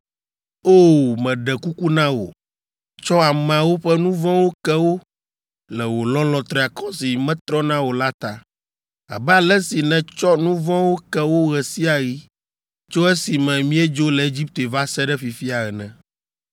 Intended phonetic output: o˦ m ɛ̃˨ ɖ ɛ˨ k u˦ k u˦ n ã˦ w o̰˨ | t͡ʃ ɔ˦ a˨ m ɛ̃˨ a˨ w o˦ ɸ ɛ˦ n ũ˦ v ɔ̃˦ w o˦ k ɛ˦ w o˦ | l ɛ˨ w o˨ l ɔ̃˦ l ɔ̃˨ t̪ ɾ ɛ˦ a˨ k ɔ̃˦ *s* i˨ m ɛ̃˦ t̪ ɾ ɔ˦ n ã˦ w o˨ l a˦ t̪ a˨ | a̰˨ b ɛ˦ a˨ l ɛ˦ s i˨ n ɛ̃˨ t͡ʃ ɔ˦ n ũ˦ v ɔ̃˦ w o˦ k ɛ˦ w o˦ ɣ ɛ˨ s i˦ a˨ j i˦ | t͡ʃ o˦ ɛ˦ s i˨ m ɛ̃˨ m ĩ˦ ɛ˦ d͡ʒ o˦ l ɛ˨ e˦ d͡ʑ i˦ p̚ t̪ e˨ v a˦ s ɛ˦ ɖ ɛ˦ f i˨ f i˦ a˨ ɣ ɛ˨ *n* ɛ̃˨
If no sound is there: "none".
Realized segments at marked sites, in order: s, n

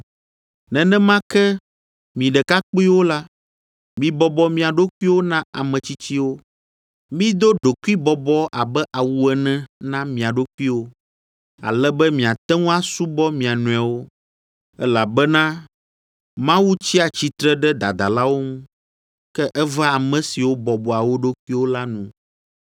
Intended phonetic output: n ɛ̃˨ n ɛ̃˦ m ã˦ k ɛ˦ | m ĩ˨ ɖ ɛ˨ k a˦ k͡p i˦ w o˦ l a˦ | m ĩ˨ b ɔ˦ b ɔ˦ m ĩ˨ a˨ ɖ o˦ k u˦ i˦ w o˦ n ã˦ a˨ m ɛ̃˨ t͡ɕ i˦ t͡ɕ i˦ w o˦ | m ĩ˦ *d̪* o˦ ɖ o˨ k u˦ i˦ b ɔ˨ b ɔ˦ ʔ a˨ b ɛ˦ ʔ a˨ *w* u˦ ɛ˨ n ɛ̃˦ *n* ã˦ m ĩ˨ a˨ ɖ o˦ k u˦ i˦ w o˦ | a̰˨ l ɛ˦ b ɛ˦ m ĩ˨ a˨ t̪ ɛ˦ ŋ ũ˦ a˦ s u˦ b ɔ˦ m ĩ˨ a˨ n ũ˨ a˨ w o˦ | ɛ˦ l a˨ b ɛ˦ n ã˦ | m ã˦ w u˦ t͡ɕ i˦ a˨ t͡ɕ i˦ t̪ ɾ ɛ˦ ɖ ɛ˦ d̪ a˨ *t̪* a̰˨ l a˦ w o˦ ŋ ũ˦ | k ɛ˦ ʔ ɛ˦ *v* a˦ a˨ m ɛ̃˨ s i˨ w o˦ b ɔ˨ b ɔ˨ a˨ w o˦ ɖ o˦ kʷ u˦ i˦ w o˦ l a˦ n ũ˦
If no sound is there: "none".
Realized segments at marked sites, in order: d̪, w, n, d̪, v

